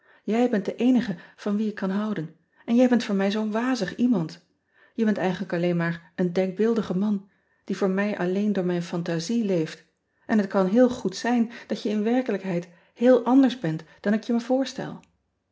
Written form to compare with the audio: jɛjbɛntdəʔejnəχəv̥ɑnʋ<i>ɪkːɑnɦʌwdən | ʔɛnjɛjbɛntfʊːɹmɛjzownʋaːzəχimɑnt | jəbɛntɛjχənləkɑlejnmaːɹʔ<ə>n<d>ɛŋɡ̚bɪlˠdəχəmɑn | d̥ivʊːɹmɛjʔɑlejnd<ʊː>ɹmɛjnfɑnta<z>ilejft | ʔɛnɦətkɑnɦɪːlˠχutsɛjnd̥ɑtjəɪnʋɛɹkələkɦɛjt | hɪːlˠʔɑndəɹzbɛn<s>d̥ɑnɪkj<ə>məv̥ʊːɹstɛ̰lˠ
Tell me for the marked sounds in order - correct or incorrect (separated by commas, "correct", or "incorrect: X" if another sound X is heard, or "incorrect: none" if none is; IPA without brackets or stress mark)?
correct, correct, correct, correct, correct, incorrect: t, correct